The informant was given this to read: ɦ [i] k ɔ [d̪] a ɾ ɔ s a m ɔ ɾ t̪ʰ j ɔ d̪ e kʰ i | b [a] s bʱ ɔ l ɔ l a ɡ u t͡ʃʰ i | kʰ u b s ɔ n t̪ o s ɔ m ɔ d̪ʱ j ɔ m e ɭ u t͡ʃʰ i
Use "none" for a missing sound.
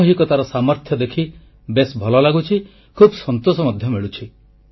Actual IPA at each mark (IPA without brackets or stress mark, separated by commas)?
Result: i, t̪, e